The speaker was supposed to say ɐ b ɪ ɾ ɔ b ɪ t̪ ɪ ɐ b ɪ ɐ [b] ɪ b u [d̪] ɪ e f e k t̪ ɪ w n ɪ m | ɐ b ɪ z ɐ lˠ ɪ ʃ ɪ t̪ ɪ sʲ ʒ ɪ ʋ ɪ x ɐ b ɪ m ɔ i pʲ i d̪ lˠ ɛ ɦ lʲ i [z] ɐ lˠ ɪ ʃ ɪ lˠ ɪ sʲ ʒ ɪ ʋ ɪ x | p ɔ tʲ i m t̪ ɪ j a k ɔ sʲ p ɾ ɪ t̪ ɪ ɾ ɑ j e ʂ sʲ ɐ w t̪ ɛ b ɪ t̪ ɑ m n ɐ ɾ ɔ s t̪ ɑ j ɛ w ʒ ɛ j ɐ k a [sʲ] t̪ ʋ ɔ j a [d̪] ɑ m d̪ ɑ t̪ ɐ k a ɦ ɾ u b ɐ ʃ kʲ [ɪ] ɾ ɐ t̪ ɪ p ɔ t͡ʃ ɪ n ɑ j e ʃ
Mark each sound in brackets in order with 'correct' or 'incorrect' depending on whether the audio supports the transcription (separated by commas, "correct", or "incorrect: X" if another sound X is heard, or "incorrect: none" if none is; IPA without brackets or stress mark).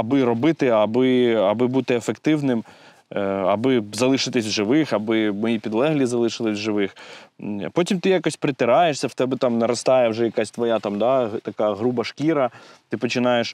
correct, incorrect: t̪, correct, correct, incorrect: t̪, incorrect: i